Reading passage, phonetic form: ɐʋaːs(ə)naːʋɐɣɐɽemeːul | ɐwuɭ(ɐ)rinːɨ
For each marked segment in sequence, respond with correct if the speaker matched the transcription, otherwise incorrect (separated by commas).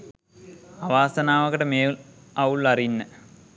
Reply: incorrect, correct